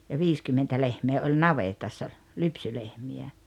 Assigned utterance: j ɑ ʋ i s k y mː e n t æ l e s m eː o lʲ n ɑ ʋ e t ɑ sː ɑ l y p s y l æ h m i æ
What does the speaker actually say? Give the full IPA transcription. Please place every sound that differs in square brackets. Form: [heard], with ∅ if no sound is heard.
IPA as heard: j ɑ ʋ [iː] s k y mː e n t æ l e [h] m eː o lʲ n ɑ ʋ e t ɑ sː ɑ l y p s y l [e] h m i æ